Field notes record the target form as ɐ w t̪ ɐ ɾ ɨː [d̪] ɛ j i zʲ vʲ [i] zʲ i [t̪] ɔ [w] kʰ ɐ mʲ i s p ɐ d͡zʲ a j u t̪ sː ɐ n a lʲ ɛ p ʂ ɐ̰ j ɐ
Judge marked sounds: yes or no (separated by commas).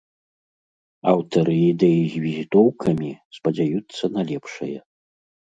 yes, yes, yes, yes